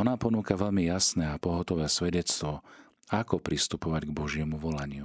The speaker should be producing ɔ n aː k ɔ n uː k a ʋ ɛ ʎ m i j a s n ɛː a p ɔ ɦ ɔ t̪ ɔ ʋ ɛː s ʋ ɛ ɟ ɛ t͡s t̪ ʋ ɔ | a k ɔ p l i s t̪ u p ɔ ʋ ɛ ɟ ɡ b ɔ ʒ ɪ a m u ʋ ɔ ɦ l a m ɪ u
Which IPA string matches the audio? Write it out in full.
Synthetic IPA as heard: ɔ n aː p ɔ n uː k a ʋ ɛ ʎ m i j a s n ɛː a p ɔ ɦ ɔ t̪ ɔ ʋ ɛː s ʋ ɛ ɟ ɛ t͡s t̪ ʋ ɔ | a k ɔ p ɾ i s t̪ u p ɔ ʋ a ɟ ɡ b ɔ ʒ ɪ ɛ m u ʋ ɔ l a ɲ ɪ u